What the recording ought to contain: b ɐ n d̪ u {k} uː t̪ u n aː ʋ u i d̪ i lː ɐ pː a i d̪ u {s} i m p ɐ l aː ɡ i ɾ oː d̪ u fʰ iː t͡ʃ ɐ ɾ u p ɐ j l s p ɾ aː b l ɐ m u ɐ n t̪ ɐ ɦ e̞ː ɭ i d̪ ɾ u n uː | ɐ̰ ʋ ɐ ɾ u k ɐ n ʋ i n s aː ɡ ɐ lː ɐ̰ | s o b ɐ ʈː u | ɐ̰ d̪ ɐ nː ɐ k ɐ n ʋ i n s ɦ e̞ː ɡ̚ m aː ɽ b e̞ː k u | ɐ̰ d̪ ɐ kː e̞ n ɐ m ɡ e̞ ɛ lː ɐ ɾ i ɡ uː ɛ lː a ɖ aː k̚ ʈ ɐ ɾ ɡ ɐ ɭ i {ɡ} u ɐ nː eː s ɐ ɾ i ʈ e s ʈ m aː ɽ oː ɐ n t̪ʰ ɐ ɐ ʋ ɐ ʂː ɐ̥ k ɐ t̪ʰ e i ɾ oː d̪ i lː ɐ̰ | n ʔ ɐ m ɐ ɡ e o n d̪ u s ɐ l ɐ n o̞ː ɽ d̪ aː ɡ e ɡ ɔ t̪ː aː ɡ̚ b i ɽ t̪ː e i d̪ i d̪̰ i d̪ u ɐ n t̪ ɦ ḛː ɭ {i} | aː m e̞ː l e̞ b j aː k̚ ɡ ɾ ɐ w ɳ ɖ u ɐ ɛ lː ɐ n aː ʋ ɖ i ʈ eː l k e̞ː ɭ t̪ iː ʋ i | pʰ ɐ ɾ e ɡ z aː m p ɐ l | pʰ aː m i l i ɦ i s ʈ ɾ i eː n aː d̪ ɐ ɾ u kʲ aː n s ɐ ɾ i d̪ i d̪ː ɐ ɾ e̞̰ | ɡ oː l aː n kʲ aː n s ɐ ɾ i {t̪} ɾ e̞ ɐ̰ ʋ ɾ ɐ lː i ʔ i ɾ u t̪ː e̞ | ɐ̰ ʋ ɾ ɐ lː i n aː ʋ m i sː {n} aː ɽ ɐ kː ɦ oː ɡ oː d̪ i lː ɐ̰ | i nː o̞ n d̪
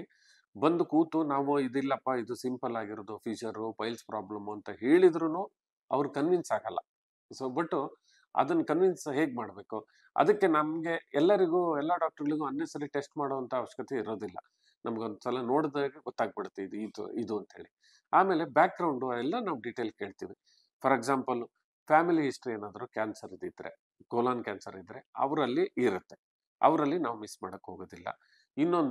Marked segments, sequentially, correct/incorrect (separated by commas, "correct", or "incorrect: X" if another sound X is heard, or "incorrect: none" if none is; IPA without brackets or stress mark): correct, correct, correct, correct, incorrect: d̪, incorrect: m